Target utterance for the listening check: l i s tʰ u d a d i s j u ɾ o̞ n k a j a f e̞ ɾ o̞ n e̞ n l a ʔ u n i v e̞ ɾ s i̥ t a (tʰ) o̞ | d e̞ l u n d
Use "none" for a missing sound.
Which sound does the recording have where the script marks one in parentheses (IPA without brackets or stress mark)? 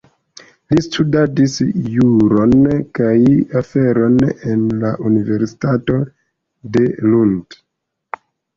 t